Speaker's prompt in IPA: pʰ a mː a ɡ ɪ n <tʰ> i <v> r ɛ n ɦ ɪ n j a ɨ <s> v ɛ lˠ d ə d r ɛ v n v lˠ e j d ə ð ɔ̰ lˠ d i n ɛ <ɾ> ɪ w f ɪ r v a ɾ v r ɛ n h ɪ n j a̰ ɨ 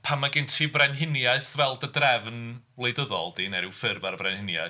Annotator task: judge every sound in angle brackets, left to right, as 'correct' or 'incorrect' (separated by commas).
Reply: correct, correct, incorrect, correct